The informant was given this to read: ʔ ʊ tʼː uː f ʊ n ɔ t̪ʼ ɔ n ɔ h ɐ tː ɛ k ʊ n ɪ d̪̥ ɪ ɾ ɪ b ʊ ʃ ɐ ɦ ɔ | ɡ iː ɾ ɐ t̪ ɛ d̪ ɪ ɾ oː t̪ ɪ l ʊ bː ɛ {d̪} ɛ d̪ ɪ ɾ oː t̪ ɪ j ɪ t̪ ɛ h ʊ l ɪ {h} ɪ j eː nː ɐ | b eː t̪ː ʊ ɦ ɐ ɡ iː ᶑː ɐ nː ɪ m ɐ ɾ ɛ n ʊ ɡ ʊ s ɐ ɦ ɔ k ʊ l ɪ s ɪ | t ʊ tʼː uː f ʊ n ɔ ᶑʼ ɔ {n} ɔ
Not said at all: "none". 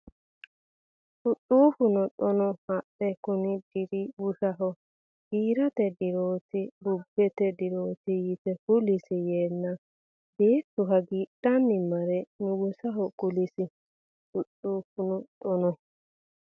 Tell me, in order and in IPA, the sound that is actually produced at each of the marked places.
t̪, s, n

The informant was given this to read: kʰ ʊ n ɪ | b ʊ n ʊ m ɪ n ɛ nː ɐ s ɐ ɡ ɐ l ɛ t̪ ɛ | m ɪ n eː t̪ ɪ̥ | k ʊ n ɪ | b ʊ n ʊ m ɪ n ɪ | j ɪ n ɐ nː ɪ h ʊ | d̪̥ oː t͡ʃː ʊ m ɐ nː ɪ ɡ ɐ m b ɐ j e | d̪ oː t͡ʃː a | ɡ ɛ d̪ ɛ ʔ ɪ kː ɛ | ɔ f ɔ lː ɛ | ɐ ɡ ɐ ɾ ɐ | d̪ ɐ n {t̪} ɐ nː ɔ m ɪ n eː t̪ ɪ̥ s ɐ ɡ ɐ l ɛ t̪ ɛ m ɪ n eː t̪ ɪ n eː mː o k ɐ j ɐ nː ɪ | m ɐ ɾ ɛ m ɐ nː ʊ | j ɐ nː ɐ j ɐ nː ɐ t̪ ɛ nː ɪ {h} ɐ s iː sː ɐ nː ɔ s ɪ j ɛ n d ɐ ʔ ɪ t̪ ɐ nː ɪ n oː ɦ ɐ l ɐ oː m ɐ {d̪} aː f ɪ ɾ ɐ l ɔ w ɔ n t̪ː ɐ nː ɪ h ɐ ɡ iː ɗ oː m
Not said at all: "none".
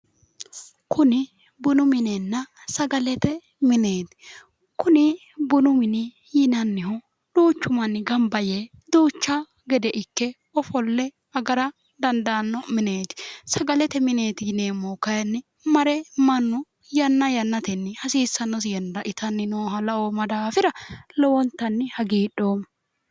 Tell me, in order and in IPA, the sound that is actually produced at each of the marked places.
d̪, h, d̪

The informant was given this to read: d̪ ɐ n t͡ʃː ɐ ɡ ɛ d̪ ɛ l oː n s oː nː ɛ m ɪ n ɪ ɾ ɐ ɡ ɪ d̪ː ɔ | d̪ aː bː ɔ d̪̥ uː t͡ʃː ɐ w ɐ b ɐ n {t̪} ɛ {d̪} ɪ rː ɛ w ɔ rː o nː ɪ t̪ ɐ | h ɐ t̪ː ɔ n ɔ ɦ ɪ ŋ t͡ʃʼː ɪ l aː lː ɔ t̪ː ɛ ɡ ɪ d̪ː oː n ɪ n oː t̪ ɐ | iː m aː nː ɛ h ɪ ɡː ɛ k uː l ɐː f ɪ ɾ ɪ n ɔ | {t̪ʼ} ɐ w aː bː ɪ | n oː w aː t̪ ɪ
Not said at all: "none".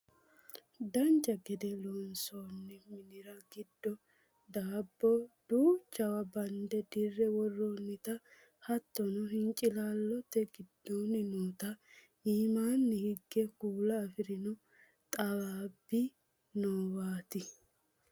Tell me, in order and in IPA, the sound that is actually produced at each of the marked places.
d̪, d̪, t̪ʼ

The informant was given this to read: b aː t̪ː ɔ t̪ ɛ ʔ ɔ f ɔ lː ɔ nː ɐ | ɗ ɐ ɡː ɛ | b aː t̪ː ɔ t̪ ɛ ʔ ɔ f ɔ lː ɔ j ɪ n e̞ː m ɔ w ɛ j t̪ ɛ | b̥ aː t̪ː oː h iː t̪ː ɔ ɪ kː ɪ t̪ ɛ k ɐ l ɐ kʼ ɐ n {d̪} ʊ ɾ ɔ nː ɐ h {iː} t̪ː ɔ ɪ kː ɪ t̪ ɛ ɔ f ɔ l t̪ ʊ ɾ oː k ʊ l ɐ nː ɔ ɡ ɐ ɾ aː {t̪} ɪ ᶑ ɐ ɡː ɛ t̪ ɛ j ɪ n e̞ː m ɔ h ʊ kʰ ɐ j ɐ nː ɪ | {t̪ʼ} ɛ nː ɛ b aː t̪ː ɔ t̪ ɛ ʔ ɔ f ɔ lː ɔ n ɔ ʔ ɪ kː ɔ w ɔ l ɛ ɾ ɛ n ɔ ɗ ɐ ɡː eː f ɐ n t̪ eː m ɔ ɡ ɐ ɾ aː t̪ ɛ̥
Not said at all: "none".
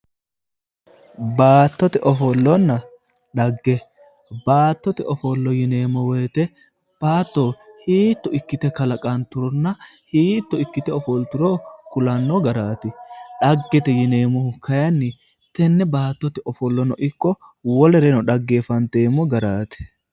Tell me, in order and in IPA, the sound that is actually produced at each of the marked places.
t̪, iː, t̪, t̪

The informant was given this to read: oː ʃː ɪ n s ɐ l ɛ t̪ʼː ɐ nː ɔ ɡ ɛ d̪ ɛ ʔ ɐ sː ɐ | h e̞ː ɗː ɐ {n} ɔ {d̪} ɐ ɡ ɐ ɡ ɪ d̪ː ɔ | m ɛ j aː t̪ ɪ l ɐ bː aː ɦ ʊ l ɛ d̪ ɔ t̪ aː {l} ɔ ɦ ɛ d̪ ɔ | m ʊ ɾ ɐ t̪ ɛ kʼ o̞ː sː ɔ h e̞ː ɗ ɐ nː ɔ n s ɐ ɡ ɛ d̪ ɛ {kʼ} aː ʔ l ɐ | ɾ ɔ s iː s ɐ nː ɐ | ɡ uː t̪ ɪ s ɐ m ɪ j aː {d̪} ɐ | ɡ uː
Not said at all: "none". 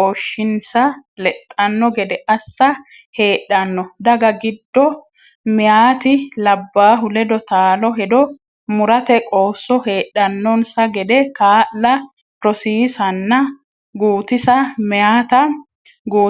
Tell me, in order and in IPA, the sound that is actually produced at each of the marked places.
nː, d̪, l, k, t̪

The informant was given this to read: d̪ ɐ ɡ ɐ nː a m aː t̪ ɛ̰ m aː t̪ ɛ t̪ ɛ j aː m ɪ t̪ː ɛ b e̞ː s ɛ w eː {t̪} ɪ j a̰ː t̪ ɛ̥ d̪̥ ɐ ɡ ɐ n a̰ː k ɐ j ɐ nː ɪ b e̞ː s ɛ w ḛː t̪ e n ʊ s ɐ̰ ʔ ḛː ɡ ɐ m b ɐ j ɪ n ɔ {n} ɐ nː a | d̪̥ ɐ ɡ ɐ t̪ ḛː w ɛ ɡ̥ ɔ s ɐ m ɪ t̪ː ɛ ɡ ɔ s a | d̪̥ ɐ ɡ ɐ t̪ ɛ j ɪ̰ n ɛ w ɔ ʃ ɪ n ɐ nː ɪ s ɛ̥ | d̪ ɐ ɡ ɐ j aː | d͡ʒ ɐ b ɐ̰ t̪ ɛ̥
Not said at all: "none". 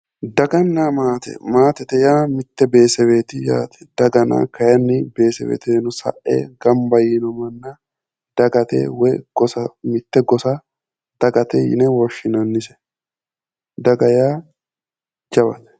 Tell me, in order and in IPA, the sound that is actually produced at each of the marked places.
t̪, m

